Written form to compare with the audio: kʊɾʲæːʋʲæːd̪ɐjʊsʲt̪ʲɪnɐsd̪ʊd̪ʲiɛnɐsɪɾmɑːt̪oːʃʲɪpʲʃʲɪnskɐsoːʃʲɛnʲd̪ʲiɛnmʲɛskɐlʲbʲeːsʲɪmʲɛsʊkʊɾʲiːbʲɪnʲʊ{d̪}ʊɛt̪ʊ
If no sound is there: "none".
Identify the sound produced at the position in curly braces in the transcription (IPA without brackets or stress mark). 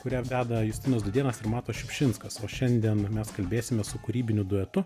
d̪